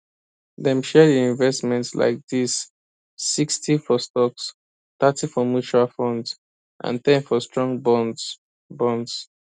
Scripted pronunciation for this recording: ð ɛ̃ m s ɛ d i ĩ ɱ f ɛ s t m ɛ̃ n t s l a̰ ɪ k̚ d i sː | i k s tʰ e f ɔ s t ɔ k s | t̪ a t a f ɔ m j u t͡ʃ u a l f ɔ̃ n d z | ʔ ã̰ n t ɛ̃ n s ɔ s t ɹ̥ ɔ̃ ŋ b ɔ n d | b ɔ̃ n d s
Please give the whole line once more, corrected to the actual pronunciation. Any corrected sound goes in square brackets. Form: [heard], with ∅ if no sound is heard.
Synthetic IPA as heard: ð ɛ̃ m [ʃ] ɛ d i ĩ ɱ [v] ɛ s t m ɛ̃ n t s l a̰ ɪ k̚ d i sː | i k s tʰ [i] f ɔ s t ɔ k s | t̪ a t [i] f ɔ m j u t͡ʃ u a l f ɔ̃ n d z | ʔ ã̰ n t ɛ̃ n [f] ɔ s t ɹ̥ ɔ̃ ŋ b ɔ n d | b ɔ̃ n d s